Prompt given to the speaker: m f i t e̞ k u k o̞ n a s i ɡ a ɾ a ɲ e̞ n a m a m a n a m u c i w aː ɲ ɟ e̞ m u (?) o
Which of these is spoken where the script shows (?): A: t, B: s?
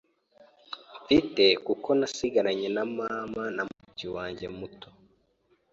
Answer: A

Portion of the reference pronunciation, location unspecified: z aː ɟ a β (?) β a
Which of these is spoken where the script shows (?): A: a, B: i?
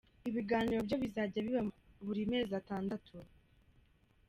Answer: B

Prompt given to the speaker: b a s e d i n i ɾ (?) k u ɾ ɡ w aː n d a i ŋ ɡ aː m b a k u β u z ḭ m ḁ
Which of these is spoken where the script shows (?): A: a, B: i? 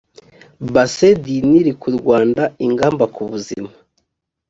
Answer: B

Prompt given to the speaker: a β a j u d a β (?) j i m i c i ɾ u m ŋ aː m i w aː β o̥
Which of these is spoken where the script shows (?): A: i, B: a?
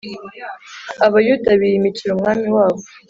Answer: A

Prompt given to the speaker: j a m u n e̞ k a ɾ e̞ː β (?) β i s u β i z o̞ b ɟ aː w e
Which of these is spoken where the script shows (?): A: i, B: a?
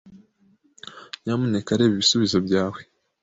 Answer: A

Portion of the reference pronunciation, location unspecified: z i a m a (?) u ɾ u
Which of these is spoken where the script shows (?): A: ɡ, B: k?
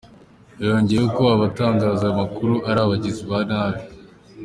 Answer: B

